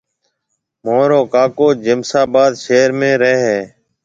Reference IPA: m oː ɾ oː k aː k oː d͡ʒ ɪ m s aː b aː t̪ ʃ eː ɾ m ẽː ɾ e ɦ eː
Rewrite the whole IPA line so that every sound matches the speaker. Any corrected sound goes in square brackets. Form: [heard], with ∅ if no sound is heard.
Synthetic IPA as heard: m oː ɾ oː k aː k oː d͡ʒ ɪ m s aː b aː [d̪] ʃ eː ɾ m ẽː ɾ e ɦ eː